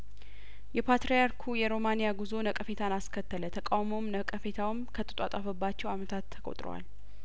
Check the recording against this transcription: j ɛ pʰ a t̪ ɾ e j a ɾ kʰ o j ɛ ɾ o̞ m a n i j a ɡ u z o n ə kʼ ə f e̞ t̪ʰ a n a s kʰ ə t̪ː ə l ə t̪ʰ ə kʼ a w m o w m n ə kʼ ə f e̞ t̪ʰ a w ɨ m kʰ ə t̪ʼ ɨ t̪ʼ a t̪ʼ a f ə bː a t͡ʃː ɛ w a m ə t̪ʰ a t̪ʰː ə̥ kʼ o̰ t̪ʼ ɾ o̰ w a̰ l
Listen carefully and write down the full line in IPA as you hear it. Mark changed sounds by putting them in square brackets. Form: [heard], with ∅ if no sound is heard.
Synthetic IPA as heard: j ɛ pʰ a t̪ ɾ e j a ɾ kʰ [u] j ɛ ɾ o̞ m a n i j a ɡ u z o n ə kʼ ə f e̞ t̪ʰ a n a s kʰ ə t̪ː ə l ə t̪ʰ ə kʼ a w m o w m n ə kʼ ə f e̞ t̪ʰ a w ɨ m kʰ ə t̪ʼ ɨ t̪ʼ a t̪ʼ a f ə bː a t͡ʃː ɛ w a m ə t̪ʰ a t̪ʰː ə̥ kʼ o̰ t̪ʼ ɾ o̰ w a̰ l